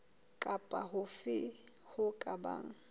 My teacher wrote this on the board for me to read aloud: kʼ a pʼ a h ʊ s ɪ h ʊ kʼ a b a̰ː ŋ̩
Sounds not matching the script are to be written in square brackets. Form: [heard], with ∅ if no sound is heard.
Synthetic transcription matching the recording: kʼ a pʼ a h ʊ [f] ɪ h ʊ kʼ a b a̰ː ŋ̩